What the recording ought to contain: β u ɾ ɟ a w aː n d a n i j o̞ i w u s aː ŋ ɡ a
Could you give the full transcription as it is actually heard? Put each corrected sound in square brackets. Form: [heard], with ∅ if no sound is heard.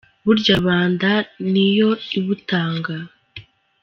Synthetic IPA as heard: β u ɾ ɟ a [β] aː n d a n i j o̞ i [β] u [t] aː ŋ ɡ a